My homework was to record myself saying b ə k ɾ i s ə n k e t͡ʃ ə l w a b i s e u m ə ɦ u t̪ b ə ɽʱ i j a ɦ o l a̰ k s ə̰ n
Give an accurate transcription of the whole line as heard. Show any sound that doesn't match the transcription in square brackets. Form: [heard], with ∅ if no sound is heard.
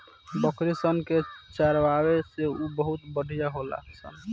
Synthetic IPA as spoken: b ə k ɾ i s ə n k e t͡ʃ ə [ɾ] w a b [e] s e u [b] ə ɦ u t̪ b ə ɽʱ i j a ɦ o l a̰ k s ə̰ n